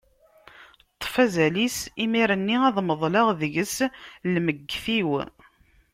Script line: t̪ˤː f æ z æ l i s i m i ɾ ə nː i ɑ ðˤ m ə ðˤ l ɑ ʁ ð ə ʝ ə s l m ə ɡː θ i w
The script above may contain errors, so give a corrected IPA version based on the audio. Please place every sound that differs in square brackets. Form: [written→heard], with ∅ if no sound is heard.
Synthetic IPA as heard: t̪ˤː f æ z æ l i s i m i ɾ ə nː i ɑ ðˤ m ə ðˤ l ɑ ʁ ð ə ʝ ə s l m ə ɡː θ i w